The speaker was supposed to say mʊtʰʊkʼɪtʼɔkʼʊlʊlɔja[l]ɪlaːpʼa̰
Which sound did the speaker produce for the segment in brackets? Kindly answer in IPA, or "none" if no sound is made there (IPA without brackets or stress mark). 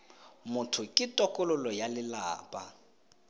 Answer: l